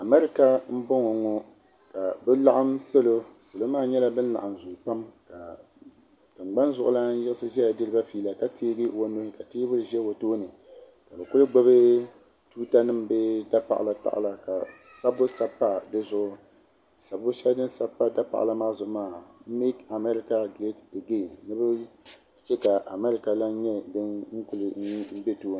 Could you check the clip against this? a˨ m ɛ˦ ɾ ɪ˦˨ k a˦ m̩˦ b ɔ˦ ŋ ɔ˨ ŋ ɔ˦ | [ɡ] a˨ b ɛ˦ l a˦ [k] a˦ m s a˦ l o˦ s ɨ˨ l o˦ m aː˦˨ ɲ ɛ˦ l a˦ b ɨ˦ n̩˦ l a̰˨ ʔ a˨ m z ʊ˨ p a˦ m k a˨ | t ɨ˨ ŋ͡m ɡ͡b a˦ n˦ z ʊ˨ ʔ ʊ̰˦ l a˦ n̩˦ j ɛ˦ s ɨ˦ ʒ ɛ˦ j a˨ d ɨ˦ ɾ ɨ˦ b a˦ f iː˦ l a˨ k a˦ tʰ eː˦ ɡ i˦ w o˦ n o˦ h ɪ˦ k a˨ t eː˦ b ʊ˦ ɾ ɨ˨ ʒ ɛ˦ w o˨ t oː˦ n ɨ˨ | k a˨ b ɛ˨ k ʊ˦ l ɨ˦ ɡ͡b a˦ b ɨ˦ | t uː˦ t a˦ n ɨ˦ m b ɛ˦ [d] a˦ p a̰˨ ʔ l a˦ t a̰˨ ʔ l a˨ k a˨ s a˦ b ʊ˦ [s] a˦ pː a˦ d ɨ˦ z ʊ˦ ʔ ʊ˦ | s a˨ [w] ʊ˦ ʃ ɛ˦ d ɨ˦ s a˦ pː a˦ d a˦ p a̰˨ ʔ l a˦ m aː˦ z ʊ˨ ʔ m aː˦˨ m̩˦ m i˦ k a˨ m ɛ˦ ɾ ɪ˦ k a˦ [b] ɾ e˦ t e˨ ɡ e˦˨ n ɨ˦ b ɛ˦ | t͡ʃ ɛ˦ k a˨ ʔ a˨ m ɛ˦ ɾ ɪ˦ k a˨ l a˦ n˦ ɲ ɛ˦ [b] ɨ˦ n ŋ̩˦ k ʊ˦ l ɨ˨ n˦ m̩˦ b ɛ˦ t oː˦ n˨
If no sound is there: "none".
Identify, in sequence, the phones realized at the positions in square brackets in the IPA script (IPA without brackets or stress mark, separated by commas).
k, ʔ, d, s, b, ɡ, d